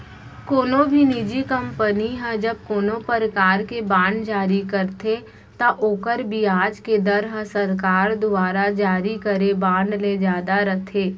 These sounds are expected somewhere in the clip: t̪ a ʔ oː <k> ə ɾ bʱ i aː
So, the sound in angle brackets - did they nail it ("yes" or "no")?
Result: yes